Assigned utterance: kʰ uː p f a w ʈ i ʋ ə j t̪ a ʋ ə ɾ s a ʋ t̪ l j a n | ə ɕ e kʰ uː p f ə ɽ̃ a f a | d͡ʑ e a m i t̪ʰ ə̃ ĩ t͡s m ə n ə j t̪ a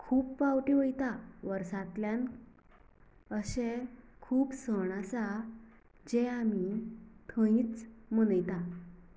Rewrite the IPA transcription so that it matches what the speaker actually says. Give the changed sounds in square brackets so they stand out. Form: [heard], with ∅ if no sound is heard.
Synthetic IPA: kʰ uː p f a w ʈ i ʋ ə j t̪ a ʋ ə ɾ s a [∅] t̪ l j a n | ə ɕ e kʰ uː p [s] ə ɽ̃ a [s] a | d͡ʑ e a m i t̪ʰ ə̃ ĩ t͡s m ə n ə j t̪ a